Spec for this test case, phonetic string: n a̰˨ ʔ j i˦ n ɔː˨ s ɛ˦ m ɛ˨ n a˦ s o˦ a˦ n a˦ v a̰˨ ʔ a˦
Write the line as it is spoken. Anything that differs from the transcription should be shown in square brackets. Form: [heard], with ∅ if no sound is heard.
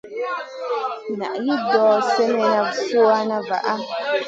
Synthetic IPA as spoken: n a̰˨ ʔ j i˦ [d] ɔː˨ s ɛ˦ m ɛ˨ n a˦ s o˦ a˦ n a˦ v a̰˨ ʔ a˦

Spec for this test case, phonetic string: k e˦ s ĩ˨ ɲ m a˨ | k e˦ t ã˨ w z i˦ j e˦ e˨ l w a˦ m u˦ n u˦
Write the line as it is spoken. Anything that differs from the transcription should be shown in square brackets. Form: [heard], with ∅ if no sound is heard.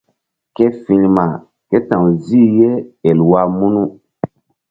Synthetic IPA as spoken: k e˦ [f] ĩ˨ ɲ m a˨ | k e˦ t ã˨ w z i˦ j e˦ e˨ l w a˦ m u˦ n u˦

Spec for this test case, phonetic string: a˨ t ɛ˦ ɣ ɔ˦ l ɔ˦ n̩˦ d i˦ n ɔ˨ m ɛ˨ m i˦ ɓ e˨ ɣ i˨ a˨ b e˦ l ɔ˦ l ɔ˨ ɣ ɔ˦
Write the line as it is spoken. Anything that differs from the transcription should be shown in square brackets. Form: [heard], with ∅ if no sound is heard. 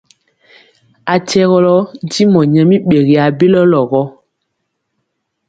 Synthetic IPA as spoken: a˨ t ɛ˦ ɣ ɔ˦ l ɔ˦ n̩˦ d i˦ [m] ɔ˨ [ɲ] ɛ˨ m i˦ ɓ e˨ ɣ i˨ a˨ b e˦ l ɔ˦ l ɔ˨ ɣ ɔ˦

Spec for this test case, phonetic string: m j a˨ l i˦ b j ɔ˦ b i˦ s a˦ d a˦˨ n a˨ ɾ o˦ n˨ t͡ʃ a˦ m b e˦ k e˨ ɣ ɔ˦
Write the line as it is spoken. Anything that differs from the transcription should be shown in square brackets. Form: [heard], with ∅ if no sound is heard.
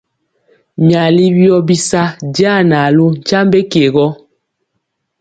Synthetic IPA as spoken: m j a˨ l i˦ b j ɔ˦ b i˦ s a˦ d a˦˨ n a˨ [l] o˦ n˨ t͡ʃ a˦ m b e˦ k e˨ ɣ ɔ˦

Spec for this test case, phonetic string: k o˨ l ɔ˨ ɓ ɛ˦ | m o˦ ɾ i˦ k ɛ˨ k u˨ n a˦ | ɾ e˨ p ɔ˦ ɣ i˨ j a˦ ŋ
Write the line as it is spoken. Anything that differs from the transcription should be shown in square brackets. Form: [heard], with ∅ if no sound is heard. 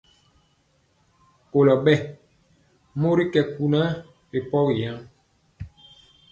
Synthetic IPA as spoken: k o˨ l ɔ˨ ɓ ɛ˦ | m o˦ ɾ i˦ k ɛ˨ k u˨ n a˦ | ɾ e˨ p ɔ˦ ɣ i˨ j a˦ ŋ

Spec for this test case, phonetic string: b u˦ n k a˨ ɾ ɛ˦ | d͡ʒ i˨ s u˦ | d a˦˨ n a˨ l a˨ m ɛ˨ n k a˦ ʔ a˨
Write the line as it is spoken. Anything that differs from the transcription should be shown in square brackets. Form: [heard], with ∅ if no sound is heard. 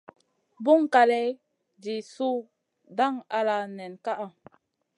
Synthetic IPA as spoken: b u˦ [ŋ] k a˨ [l] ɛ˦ | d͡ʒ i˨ s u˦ | d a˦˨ [ŋ] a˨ l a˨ [n] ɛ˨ n k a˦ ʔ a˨

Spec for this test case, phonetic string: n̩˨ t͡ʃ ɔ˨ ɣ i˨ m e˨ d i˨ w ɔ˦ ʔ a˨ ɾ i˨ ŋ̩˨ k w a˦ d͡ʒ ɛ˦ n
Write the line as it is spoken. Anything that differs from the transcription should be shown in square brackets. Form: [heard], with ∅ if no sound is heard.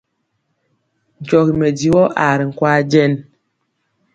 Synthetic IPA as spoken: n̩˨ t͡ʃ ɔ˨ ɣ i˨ m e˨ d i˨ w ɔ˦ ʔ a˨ ɾ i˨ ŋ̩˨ k w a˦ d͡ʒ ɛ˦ n

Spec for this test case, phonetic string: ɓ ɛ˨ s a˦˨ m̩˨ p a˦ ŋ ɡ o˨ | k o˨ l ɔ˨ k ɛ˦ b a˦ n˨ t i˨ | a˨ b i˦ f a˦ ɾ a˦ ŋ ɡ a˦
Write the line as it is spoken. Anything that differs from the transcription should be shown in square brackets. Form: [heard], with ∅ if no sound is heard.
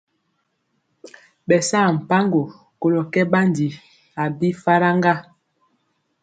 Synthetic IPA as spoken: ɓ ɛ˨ s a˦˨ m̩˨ p a˦ ŋ ɡ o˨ | k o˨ l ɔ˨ k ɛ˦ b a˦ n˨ [d] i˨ | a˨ b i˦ f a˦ ɾ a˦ ŋ ɡ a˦

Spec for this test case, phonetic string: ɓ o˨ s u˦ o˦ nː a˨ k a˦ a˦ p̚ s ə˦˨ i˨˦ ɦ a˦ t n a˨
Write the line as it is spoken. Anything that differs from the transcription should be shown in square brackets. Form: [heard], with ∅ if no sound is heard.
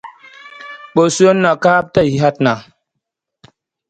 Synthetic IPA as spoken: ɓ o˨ s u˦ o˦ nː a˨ k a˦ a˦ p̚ [t] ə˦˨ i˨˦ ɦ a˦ t n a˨

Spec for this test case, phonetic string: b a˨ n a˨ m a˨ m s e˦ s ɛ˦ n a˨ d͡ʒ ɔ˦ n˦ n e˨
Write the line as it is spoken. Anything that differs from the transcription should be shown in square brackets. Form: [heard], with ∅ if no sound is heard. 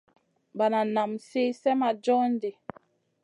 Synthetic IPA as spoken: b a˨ n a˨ [n] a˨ m s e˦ s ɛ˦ [m] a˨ d͡ʒ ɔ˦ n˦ [d] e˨

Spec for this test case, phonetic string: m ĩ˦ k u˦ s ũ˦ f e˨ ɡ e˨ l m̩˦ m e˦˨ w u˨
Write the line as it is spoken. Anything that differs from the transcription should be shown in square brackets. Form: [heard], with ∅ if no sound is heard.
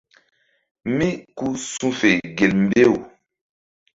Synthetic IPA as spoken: m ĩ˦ k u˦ s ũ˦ f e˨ ɡ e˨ l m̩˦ [b] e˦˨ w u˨

